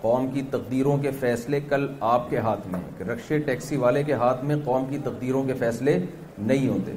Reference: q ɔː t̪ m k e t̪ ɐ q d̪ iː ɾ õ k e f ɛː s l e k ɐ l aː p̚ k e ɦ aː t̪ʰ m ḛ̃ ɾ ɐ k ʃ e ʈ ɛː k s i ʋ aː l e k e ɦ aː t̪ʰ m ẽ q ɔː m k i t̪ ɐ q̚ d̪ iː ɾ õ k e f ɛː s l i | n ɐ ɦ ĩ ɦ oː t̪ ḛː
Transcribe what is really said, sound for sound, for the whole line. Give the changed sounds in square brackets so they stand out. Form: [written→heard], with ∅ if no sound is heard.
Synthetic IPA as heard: q ɔː [t̪→∅] m k [e→i] t̪ ɐ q d̪ iː ɾ õ k e f ɛː s l e k ɐ l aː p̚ k e ɦ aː t̪ʰ m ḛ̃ ɾ ɐ k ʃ e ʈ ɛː k s i ʋ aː l e k e ɦ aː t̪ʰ m ẽ q ɔː m k i t̪ ɐ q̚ d̪ iː ɾ õ k e f ɛː s l [i→e] | n ɐ ɦ ĩ ɦ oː t̪ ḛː